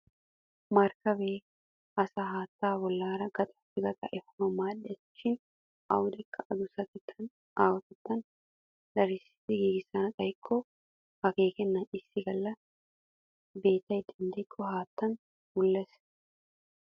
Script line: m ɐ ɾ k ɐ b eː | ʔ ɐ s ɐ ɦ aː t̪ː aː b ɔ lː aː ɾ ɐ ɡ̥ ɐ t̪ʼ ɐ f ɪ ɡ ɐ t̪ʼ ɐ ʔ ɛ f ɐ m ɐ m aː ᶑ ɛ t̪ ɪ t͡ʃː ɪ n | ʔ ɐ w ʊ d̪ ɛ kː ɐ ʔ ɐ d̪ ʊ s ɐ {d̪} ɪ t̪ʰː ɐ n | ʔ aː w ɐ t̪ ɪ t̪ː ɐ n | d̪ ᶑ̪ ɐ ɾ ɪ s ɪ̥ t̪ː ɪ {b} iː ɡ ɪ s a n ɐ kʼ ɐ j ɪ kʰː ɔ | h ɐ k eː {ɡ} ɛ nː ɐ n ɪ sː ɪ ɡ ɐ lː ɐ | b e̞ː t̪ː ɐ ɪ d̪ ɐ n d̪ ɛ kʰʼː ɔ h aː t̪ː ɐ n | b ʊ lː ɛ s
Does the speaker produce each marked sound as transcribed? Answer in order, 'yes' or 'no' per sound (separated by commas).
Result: no, no, no